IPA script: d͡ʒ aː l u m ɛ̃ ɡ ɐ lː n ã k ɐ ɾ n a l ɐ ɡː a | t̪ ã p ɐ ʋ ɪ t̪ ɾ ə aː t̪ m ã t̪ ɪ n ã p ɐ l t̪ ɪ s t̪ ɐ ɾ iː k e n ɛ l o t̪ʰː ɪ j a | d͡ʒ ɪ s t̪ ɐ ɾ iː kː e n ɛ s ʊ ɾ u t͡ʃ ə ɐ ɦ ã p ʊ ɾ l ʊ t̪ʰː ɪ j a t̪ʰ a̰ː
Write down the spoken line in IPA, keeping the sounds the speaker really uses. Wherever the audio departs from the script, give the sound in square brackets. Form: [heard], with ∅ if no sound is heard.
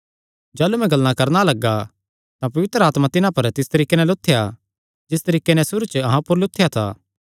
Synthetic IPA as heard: d͡ʒ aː l u m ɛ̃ ɡ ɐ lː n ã k ɐ ɾ n a l ɐ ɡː a | t̪ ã p ɐ ʋ ɪ t̪ ɾ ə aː t̪ m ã t̪ ɪ n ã p ɐ [ɾ] t̪ ɪ s t̪ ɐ ɾ iː k e n ɛ l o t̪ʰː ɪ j a | d͡ʒ ɪ s t̪ ɐ ɾ iː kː e n ɛ s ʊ ɾ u t͡ʃ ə ɐ ɦ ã p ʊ ɾ l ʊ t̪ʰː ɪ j a t̪ʰ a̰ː